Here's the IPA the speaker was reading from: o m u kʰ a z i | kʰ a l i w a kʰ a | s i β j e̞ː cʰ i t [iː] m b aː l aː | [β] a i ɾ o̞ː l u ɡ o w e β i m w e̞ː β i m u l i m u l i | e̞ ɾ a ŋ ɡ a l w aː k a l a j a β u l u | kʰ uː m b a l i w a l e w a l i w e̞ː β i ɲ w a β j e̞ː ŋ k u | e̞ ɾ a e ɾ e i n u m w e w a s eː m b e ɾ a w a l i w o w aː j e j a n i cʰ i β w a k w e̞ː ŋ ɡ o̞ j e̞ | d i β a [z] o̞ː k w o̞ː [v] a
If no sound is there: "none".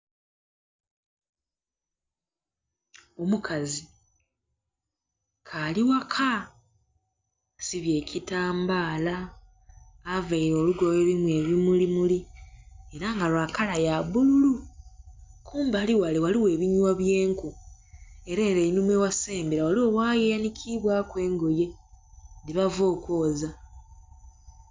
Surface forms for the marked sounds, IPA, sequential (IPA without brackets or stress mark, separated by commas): aː, v, v, z